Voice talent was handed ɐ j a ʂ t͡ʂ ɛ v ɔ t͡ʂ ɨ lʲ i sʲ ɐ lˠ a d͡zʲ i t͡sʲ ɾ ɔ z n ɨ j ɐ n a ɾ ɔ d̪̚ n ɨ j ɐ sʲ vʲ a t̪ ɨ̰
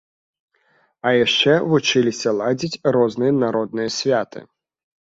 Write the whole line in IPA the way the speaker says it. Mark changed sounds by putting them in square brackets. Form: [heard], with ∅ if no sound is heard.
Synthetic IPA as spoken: ɐ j a ʂ t͡ʂ ɛ v [u] t͡ʂ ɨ lʲ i sʲ ɐ lˠ a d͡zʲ i t͡sʲ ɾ ɔ z n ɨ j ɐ n a ɾ ɔ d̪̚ n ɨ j ɐ sʲ vʲ a t̪ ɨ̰